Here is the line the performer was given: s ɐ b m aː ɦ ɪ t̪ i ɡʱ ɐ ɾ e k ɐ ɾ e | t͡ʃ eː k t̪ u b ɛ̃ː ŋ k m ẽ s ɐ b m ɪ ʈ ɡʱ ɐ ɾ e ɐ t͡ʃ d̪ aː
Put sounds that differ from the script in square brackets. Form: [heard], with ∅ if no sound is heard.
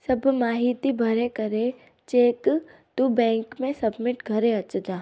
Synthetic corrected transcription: s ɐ b m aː ɦ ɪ t̪ i [bʱ] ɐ ɾ e k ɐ ɾ e | t͡ʃ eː k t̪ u b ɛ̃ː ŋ k m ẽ s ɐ b m ɪ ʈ ɡʱ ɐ ɾ e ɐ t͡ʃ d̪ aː